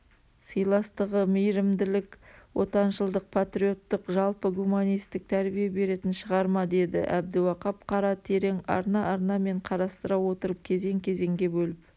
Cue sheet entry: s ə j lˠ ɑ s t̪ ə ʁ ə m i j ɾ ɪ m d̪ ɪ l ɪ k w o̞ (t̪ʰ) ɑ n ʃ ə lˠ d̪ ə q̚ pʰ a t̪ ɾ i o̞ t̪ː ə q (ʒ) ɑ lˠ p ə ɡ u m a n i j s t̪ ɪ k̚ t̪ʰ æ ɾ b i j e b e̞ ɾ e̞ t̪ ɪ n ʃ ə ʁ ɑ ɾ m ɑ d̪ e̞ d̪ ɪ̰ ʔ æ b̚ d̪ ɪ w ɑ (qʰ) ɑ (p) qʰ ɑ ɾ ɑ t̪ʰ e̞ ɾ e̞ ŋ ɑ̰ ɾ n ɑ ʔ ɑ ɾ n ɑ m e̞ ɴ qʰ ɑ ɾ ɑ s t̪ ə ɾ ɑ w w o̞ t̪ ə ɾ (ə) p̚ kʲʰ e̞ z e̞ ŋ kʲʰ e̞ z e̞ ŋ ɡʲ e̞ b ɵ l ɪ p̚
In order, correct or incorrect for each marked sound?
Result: incorrect: t̪, correct, incorrect: q, correct, correct

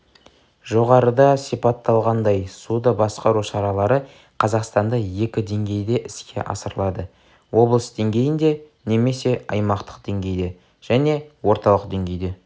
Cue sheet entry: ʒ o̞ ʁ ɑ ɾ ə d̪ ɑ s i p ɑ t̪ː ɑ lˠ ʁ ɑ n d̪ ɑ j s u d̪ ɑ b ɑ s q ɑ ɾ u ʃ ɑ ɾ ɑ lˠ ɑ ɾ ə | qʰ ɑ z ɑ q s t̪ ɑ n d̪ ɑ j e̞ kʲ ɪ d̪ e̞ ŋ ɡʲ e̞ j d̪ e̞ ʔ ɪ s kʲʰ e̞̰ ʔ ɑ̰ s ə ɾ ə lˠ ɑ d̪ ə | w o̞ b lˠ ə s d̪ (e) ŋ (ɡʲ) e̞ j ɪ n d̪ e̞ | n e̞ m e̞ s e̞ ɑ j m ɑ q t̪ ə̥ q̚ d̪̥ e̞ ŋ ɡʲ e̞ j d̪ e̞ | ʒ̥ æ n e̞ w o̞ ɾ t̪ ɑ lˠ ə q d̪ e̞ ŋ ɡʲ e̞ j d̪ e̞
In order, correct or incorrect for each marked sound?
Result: correct, correct

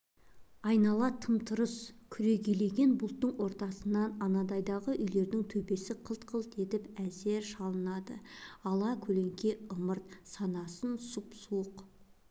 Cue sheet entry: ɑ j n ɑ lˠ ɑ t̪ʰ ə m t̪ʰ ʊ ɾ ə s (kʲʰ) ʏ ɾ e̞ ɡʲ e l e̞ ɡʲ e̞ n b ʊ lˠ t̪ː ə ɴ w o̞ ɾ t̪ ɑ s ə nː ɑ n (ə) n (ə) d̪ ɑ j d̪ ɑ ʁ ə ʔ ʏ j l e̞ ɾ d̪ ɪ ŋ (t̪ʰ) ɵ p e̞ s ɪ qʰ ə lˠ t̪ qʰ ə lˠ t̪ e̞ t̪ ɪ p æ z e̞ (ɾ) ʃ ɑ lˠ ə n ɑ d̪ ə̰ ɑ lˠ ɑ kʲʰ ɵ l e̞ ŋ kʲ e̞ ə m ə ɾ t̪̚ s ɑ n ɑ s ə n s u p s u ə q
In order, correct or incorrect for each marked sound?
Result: correct, incorrect: ɑ, incorrect: ɑ, correct, correct

